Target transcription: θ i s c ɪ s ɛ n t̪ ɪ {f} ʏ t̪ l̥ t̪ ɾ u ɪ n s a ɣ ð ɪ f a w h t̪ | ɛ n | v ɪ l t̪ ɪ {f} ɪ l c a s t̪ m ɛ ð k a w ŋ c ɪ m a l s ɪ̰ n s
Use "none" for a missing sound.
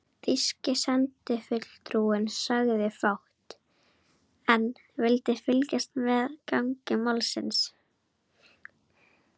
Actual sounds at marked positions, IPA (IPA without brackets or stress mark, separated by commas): f, f